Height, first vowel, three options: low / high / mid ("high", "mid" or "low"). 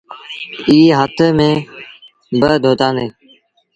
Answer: high